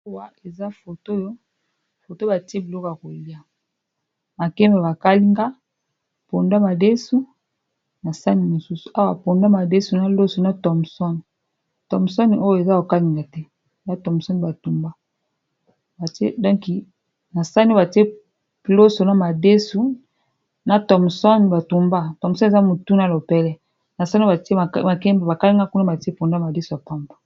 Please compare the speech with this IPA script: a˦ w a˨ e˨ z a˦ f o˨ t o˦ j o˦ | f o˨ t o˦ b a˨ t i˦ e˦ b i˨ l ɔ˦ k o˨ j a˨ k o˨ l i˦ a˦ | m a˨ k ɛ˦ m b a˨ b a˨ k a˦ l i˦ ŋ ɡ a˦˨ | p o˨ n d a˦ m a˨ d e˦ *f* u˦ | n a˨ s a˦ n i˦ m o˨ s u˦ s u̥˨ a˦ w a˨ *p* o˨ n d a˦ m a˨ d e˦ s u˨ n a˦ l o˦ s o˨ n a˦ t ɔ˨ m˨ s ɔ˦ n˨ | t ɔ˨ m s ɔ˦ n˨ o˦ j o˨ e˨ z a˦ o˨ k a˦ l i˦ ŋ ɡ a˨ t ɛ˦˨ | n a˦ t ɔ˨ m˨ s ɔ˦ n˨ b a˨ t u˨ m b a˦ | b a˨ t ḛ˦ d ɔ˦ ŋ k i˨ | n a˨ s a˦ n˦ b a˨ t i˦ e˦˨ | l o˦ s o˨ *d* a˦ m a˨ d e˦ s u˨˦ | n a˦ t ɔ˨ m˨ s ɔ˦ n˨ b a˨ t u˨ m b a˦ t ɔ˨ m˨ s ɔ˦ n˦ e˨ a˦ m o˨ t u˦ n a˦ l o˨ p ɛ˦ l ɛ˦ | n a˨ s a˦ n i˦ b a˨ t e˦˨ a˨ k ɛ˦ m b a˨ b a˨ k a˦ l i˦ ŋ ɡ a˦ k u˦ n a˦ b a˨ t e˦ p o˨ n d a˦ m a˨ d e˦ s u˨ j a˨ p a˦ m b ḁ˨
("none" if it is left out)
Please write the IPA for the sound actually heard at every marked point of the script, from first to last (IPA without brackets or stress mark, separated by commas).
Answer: s, p, n